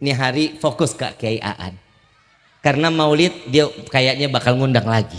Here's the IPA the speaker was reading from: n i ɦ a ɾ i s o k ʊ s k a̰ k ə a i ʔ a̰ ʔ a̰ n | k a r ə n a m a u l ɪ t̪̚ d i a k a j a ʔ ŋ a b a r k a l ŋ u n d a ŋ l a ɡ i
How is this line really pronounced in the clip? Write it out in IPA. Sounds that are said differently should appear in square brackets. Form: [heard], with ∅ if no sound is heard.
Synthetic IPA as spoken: n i ɦ a ɾ i [f] o k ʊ s k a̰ k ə a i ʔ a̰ ʔ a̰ n | k a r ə n a m a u l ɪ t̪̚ d i a k a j a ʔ [ɲ] a b a [∅] k a l ŋ u n d a ŋ l a ɡ i